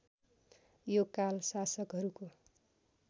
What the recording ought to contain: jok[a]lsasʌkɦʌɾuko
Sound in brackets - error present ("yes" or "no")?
no